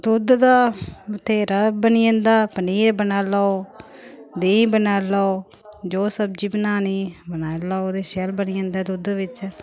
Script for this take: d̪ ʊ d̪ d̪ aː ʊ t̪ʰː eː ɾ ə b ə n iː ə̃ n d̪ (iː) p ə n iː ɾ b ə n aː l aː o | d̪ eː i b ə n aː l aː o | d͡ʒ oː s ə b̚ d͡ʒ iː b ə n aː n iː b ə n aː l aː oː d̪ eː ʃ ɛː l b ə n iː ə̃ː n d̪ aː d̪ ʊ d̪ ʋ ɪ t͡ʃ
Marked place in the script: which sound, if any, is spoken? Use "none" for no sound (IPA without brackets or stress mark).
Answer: aː